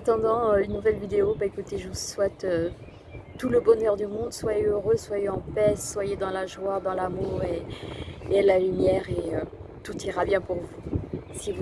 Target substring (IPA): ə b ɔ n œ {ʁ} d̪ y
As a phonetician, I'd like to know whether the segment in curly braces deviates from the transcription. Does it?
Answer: no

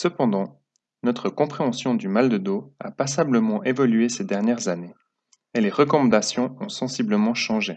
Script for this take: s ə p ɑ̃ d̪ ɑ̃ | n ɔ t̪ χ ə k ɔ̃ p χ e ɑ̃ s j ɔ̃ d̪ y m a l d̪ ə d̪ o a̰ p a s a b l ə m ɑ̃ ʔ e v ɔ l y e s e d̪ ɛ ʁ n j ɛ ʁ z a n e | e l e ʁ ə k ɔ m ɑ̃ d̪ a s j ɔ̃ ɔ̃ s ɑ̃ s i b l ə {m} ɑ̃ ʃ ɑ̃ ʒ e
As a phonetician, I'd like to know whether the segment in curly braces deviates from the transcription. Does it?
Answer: no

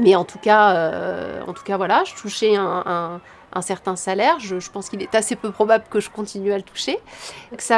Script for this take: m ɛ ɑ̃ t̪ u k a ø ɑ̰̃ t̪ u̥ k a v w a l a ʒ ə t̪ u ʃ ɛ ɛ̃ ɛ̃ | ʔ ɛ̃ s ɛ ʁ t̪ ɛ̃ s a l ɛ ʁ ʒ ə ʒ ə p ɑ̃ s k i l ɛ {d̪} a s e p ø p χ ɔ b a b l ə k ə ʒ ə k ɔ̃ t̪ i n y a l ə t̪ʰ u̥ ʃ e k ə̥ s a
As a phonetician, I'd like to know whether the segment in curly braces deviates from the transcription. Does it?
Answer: yes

